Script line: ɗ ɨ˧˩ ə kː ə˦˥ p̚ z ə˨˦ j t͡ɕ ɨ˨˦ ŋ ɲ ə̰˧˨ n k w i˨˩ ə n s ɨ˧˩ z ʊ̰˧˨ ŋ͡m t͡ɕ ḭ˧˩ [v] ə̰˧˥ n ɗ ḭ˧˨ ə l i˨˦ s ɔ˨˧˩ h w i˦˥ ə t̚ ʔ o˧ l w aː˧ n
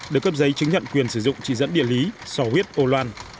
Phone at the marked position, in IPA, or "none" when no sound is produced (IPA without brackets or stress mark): z